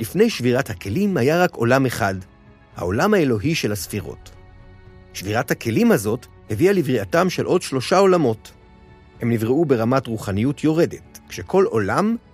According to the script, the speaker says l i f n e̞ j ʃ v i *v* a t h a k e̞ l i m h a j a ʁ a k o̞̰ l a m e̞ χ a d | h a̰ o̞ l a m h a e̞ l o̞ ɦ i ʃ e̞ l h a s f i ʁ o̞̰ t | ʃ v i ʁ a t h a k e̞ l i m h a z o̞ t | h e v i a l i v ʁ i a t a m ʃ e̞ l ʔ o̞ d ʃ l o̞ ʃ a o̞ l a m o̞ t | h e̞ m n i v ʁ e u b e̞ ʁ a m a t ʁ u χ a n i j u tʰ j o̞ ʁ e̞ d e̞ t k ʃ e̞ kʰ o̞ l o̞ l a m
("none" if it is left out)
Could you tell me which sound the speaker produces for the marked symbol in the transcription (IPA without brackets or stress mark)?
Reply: ʁ